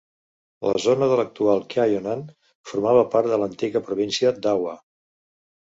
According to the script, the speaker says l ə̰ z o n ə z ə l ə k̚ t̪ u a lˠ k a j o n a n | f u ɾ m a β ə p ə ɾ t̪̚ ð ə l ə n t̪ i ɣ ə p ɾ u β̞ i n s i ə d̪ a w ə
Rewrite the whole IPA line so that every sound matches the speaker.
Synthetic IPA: l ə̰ z o n ə ð ə l ə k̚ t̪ u a lˠ k a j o n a n | f u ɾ m a β ə p a ɾ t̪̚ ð ə l ə n t̪ i ɣ ə p ɾ u β̞ i n s i ə d̪ a w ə